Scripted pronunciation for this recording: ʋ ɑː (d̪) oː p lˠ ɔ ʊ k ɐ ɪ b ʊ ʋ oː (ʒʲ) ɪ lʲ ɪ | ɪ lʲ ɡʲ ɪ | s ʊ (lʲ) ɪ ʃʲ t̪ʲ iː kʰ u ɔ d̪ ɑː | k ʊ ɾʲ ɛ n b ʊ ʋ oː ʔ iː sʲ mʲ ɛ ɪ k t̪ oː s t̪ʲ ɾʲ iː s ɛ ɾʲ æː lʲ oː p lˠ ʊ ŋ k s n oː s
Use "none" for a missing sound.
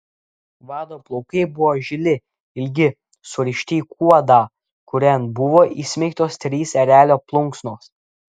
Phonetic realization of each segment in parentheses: d̪, ʒʲ, ɾʲ

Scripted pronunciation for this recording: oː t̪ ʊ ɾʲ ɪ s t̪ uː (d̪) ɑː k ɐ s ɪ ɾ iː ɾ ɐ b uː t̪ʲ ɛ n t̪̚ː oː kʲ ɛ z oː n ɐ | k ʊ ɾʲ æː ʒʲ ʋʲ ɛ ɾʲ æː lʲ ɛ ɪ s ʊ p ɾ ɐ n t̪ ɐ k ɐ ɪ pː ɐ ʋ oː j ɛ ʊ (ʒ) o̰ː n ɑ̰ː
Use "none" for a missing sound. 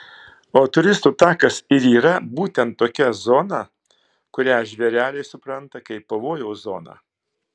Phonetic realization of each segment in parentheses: t̪, z

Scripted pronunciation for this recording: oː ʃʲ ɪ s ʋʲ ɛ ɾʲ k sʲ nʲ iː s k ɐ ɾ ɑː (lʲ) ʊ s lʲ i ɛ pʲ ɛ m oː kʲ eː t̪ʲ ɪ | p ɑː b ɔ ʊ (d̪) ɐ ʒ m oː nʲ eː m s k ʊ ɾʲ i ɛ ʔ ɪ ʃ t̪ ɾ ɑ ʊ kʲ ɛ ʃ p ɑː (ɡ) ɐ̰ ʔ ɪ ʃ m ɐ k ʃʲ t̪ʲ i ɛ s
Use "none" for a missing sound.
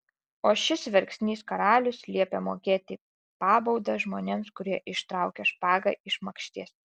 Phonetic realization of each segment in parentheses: lʲ, d̪, ɡ

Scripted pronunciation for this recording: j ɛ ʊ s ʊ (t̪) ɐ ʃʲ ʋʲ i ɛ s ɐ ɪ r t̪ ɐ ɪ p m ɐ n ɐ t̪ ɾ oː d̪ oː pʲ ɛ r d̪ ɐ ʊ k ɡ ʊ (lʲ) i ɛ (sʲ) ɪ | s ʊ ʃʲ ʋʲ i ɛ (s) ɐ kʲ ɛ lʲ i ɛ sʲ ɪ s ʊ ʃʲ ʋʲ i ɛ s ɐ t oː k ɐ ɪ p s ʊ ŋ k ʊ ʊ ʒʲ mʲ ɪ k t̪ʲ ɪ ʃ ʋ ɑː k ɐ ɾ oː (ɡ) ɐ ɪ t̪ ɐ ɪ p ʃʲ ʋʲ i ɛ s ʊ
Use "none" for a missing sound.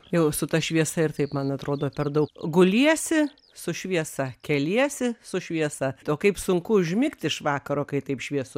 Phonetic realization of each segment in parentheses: t̪, lʲ, sʲ, s, k

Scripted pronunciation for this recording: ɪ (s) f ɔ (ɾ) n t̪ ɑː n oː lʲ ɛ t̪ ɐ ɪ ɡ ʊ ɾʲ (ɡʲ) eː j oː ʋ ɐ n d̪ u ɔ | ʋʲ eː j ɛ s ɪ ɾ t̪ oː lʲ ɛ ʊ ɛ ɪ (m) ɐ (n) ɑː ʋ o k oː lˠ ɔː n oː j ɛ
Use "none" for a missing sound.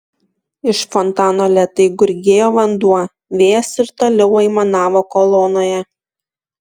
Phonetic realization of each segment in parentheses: ʃ, none, ɡʲ, m, n

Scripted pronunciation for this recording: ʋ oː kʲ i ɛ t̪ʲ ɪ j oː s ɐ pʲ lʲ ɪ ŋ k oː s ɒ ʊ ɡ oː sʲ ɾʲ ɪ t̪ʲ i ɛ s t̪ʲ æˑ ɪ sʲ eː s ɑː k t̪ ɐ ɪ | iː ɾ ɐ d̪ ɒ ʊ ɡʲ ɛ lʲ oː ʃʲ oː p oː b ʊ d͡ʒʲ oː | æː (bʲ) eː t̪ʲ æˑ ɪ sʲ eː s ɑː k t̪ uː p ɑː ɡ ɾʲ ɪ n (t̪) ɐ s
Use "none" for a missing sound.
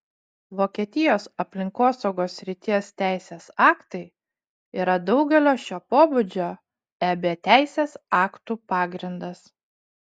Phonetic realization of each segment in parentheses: bʲ, d̪

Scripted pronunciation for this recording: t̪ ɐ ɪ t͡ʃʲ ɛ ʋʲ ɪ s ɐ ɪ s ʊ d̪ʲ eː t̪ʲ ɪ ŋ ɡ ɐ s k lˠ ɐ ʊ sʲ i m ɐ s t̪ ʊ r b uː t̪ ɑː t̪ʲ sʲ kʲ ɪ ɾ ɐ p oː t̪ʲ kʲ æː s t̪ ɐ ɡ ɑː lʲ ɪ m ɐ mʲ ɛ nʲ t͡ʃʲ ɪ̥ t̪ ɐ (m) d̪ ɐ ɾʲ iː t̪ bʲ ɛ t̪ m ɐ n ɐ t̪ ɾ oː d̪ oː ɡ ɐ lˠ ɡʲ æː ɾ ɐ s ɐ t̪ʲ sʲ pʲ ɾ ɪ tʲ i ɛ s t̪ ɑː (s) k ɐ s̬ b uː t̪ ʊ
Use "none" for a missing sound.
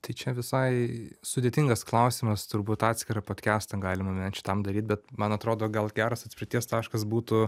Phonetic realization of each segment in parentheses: m, ʃ

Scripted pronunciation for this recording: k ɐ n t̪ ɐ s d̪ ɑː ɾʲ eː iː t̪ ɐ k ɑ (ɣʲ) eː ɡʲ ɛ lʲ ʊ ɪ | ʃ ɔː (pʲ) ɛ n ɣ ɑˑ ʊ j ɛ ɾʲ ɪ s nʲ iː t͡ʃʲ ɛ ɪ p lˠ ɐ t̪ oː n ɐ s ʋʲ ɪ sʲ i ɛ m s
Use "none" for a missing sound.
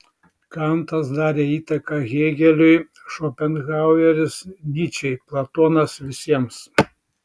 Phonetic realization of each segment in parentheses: ɣʲ, pʲ

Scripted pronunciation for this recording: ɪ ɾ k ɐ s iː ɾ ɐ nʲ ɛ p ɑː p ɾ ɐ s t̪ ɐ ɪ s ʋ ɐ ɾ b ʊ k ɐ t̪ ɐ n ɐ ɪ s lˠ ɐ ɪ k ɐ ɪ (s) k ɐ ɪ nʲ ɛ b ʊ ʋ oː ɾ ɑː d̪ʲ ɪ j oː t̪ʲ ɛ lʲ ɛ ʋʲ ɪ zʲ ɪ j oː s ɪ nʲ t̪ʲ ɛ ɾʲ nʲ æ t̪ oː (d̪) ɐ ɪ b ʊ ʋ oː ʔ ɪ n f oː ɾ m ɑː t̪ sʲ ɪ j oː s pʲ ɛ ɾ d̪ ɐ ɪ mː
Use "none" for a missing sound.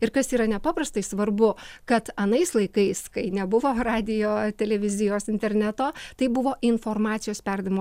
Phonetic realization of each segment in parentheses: s, t̪

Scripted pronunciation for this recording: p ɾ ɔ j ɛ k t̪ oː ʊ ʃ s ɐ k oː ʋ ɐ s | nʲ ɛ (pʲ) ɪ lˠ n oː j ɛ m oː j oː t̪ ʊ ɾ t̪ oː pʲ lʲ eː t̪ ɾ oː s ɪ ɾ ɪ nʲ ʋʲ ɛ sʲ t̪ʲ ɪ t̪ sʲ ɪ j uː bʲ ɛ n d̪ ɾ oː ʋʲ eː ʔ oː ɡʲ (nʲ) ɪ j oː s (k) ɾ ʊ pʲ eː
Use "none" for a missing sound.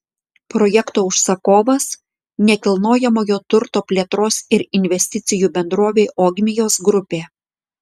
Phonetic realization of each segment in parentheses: kʲ, mʲ, ɡ

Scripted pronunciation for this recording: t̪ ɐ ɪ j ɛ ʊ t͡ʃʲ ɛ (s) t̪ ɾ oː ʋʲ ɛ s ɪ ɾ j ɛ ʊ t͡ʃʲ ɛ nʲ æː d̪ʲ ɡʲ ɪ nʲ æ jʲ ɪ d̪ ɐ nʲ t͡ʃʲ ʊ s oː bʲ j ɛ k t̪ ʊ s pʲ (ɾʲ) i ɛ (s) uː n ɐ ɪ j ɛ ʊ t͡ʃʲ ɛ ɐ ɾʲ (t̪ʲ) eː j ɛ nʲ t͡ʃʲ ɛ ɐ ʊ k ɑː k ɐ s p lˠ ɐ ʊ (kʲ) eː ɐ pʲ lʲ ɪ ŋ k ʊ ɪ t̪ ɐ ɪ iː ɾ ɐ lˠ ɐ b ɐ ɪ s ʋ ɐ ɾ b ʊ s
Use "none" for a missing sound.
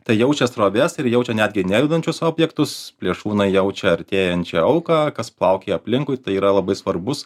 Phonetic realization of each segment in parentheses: s, lʲ, ʃ, t̪ʲ, kʲ

